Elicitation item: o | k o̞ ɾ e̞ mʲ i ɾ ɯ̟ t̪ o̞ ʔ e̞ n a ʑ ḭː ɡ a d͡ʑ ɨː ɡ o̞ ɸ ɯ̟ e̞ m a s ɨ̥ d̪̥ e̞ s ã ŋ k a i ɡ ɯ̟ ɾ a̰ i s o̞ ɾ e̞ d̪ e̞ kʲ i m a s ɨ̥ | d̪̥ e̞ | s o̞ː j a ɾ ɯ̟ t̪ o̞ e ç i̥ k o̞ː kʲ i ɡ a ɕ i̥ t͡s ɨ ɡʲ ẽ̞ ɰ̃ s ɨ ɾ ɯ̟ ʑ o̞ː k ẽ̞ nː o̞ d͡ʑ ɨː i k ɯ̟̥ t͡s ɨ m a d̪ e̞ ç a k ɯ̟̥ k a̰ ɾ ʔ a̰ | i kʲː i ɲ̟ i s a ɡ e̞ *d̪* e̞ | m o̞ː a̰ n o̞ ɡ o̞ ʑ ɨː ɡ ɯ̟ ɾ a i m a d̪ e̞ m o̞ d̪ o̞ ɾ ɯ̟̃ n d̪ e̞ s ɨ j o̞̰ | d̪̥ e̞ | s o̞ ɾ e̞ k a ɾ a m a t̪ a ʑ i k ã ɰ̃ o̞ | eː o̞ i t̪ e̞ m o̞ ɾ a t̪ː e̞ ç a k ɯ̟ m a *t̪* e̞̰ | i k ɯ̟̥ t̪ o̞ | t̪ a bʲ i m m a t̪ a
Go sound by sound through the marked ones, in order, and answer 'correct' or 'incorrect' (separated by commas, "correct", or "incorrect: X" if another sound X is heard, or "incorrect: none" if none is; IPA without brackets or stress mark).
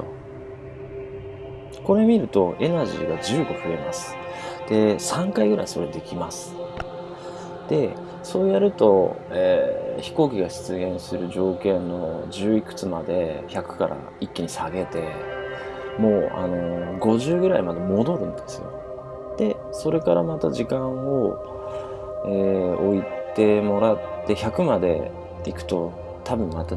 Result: incorrect: t̪, incorrect: d̪